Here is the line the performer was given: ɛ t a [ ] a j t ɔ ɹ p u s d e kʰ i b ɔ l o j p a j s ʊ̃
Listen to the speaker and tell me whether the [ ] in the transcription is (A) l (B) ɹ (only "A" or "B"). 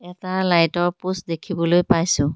A